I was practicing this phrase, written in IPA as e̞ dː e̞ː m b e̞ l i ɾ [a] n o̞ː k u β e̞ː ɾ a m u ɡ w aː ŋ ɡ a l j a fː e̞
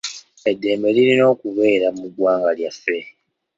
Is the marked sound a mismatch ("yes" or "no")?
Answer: yes